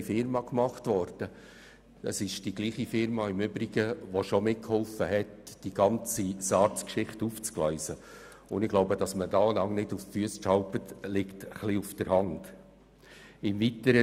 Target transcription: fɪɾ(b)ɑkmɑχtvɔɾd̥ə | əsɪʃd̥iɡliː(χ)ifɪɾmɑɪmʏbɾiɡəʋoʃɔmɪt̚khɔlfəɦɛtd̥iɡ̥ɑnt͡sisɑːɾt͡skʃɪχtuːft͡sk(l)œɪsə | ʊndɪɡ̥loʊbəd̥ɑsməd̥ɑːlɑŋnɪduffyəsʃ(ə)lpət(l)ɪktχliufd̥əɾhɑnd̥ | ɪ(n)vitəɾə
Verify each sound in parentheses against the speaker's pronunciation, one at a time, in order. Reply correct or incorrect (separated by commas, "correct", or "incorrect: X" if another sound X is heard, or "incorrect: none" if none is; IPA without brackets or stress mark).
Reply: incorrect: m, correct, correct, incorrect: ɑ, correct, incorrect: m